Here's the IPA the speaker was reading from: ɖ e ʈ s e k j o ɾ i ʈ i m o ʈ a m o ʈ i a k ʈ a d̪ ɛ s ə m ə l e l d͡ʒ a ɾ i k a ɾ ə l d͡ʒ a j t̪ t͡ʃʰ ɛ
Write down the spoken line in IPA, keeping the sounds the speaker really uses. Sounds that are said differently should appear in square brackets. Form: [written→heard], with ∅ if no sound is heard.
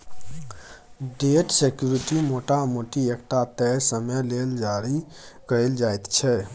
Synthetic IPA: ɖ e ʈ s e k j [o→u] ɾ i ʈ i m o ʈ a m o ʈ i [a→e] k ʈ a [d̪→t̪] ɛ s ə m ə l e l d͡ʒ a ɾ i k [a→ə] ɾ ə l d͡ʒ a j t̪ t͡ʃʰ ɛ